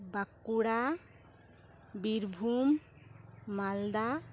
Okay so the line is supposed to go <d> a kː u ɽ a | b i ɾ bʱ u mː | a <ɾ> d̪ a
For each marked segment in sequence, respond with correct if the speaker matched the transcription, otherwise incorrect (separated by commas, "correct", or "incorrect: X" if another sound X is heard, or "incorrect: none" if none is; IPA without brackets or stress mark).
incorrect: b, incorrect: l